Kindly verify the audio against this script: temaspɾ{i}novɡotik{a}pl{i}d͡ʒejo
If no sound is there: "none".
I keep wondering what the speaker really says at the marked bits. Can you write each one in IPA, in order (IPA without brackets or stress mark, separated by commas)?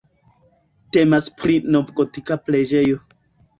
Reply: i, a, e